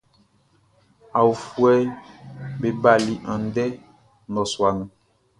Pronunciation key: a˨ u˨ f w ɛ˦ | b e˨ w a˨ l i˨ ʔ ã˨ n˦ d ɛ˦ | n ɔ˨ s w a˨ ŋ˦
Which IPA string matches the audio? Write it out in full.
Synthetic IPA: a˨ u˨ f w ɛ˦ | b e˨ b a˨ l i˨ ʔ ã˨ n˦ d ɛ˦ | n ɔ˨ s w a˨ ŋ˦